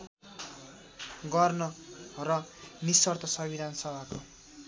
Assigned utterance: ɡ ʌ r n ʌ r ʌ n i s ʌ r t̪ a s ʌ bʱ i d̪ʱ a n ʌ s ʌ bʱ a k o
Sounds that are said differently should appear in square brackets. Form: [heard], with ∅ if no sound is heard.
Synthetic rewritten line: ɡ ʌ r n ʌ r ʌ n i s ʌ r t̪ [ʌ] s ʌ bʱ i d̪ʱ a n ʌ s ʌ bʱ a k o